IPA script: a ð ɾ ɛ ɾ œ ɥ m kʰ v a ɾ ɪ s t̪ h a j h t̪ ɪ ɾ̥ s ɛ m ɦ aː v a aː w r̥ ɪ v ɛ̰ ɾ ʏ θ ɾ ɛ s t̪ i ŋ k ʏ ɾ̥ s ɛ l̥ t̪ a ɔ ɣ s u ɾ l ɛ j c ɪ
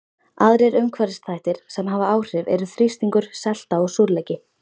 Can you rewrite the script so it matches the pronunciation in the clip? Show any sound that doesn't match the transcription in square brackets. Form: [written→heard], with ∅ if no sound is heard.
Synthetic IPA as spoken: a ð ɾ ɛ ɾ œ ɥ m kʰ v a ɾ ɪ s t̪ [h→θ] a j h t̪ ɪ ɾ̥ s ɛ m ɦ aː v a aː w r̥ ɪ v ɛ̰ ɾ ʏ θ ɾ [ɛ→i] s t̪ i ŋ k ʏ ɾ̥ s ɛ l̥ t̪ a ɔ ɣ s u ɾ l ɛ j c ɪ